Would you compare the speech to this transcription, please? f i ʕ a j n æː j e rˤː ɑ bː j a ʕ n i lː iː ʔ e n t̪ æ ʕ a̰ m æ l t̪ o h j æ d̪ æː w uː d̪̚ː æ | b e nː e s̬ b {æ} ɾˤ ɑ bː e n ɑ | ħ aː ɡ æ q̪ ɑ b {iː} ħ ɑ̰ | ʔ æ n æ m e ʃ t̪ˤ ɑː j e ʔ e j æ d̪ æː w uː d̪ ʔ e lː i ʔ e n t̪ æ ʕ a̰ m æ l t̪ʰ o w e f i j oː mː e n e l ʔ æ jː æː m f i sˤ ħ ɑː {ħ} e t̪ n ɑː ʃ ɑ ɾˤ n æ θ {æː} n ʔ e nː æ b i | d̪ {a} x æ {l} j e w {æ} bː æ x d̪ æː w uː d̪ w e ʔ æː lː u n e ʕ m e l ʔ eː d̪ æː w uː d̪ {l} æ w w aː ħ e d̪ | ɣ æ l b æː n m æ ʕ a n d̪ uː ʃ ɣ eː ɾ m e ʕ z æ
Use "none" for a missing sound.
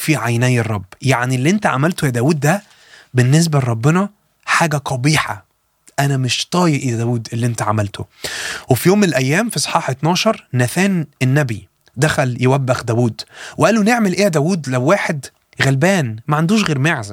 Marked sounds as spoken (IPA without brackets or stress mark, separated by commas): æ, iː, ħ, æː, æ, l, æ, l